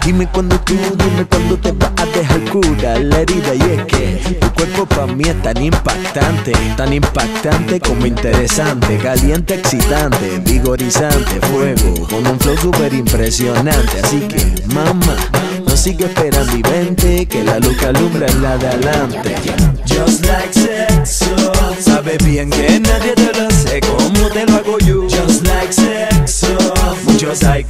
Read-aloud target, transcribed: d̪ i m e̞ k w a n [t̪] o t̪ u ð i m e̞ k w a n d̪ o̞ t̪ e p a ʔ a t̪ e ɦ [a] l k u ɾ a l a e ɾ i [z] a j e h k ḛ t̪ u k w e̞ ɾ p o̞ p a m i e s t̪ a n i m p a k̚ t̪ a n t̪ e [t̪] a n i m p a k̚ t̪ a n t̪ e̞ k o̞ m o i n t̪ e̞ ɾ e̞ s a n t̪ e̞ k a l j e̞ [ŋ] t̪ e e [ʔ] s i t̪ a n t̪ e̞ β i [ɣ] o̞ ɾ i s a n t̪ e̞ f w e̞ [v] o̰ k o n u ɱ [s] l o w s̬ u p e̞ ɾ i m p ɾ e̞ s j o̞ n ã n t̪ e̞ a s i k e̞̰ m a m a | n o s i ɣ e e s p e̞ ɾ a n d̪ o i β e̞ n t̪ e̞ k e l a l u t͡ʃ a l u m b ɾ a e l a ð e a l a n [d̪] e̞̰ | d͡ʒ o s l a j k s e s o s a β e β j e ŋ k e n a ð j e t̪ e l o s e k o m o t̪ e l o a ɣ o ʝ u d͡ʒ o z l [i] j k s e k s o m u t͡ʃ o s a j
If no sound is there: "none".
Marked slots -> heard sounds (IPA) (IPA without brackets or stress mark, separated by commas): d̪, a, ð, t̪, n, k, ɣ, ɣ, f, t̪, a